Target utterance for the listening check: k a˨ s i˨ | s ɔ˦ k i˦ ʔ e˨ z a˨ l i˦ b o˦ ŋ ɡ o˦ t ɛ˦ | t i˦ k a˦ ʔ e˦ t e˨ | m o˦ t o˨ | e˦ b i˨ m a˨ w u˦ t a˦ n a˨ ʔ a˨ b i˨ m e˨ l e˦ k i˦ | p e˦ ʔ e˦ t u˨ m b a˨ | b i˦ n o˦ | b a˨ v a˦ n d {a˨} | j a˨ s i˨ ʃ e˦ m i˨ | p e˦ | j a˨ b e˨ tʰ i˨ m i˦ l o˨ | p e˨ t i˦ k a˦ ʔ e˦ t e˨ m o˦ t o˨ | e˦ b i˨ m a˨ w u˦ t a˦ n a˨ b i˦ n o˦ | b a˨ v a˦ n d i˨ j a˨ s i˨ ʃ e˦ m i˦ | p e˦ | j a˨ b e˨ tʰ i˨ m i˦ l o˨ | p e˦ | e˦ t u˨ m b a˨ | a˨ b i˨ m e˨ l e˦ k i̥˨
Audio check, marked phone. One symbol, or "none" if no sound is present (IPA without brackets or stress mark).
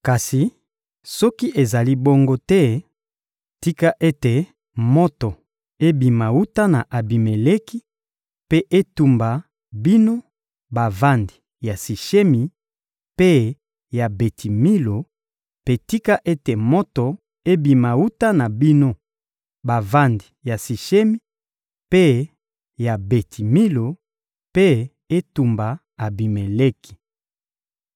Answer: i˨